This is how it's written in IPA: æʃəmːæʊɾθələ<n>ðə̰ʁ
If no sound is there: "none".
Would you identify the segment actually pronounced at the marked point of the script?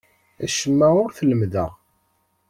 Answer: m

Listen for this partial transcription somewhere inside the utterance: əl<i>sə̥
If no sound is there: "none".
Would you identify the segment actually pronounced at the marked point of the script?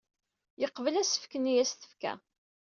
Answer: æ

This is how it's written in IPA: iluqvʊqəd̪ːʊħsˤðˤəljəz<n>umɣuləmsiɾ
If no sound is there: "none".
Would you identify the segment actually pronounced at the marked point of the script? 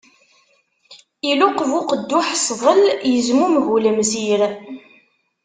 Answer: m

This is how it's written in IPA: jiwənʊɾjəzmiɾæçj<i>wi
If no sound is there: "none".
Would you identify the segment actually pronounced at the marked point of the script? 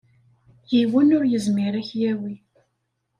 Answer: æ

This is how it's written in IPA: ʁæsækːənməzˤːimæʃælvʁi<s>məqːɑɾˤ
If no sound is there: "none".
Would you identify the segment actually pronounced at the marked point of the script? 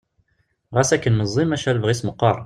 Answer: s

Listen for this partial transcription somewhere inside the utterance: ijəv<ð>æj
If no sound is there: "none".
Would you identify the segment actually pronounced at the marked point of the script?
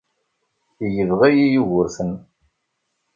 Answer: ʁ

